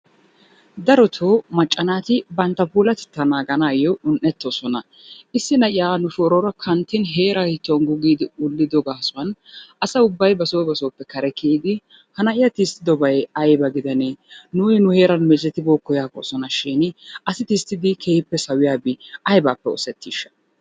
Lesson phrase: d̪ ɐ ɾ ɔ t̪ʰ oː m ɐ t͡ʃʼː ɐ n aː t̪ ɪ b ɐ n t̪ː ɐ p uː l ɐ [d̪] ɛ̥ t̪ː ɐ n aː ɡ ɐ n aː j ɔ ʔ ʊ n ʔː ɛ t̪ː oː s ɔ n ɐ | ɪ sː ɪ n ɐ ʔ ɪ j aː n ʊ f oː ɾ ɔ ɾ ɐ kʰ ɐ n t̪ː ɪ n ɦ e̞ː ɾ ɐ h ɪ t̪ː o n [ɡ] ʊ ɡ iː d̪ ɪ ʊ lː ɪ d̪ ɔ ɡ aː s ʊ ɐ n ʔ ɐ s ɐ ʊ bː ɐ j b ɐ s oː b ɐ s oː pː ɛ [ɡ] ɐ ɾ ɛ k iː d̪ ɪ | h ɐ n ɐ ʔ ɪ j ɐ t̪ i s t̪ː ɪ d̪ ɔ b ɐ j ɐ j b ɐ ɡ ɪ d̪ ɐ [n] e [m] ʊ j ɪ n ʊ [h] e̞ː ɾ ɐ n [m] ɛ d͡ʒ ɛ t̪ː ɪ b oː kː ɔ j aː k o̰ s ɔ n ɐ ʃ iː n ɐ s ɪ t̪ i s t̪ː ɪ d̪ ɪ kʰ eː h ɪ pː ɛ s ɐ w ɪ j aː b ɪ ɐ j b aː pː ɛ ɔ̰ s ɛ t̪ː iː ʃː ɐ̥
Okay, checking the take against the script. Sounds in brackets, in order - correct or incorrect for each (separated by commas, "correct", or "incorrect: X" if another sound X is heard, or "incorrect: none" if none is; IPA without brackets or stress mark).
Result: incorrect: t̪, correct, incorrect: k, correct, incorrect: n, correct, correct